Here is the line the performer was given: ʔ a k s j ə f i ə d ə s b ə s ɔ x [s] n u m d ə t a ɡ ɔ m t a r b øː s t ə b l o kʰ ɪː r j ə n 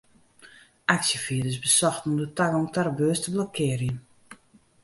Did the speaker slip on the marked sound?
yes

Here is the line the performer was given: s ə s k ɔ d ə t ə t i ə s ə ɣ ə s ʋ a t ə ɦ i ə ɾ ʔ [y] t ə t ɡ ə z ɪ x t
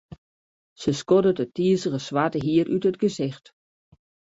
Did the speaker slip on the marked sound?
no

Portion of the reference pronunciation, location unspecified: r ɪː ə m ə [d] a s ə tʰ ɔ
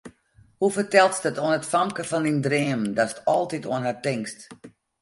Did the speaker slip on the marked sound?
no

